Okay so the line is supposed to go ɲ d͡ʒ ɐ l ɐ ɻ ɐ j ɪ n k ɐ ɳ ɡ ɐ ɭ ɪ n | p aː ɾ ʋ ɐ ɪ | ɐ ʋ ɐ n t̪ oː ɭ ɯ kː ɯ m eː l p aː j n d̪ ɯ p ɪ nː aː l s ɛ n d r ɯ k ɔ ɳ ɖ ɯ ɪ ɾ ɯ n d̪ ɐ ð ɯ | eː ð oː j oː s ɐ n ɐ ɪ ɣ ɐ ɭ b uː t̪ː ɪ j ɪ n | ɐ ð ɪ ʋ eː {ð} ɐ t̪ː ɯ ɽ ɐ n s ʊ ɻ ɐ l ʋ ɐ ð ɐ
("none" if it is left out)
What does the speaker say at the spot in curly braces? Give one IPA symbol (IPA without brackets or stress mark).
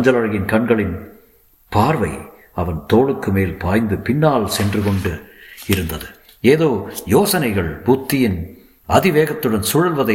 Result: ɣ